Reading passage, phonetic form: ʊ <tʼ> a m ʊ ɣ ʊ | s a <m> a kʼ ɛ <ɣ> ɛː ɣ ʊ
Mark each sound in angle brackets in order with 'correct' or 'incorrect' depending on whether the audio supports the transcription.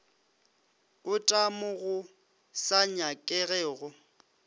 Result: correct, incorrect: ɲ, correct

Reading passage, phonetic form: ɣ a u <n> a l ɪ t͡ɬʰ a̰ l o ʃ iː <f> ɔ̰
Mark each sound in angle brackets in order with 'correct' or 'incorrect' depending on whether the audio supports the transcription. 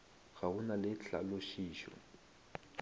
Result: correct, incorrect: ʃ

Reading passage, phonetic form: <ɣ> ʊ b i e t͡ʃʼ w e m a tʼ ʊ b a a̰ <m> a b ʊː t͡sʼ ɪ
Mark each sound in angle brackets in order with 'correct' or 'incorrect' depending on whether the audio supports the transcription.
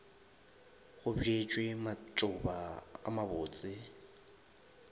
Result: correct, correct

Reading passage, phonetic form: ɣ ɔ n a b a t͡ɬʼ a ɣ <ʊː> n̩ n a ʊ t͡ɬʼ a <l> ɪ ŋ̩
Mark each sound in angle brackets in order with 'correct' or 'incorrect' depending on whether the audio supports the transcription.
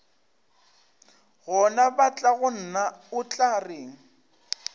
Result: incorrect: ʊ, incorrect: r

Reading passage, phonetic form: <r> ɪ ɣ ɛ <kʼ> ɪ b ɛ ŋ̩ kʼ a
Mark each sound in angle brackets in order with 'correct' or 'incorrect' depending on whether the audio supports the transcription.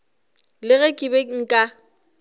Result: incorrect: l, correct

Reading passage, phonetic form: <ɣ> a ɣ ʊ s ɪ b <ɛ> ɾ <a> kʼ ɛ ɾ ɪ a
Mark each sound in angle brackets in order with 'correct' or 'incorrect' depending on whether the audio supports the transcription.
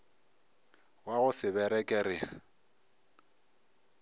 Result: incorrect: w, correct, incorrect: ɛ

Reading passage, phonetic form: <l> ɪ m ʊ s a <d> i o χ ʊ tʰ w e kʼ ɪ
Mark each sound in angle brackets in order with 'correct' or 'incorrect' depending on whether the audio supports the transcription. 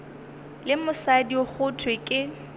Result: correct, correct

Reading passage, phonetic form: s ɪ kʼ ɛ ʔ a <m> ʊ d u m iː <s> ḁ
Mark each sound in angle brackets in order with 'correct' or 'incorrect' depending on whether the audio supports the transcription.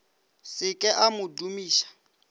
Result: correct, incorrect: ʃ

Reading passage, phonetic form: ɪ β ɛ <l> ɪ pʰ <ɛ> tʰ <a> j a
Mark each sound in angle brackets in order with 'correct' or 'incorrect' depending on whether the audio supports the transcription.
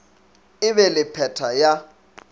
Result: correct, correct, correct

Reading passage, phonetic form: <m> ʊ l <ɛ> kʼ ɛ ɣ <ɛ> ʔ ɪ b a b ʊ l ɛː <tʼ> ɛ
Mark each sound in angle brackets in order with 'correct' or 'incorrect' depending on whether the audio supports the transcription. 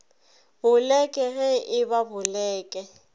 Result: incorrect: b, correct, correct, incorrect: kʼ

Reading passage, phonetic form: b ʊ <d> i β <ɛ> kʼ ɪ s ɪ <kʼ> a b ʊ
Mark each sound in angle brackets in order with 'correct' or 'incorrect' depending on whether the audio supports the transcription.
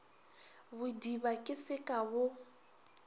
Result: correct, incorrect: a, correct

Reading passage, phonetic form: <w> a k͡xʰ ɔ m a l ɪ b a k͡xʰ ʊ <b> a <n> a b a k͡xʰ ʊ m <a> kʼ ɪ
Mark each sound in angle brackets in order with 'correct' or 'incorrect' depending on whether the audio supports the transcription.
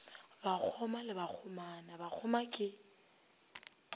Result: incorrect: b, incorrect: m, correct, correct

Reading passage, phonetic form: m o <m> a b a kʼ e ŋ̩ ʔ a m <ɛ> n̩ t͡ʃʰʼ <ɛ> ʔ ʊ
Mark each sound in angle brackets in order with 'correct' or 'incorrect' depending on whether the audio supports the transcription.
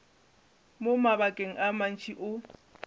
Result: correct, incorrect: a, incorrect: i

